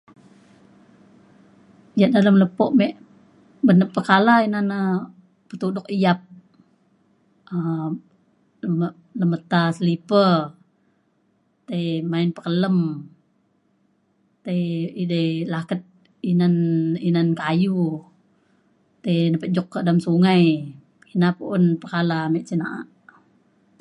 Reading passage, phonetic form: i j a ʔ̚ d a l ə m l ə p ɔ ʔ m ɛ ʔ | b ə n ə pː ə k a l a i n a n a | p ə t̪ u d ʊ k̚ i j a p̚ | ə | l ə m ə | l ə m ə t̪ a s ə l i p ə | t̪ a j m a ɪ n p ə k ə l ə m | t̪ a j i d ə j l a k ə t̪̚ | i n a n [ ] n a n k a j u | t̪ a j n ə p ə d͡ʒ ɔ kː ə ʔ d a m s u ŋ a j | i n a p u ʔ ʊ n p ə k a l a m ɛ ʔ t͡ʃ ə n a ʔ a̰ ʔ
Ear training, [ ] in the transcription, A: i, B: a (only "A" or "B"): A